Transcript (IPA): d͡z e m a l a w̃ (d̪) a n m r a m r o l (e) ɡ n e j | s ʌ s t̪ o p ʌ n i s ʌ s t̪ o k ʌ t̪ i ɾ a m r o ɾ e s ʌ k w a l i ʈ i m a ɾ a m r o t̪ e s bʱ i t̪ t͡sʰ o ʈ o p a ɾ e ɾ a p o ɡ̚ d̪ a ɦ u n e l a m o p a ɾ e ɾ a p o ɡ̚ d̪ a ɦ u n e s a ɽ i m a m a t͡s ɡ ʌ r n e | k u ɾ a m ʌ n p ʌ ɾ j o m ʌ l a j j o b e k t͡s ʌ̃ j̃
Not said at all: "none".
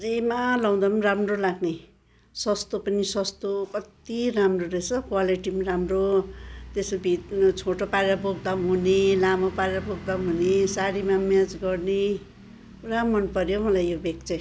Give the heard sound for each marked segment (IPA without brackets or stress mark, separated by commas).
d̪, a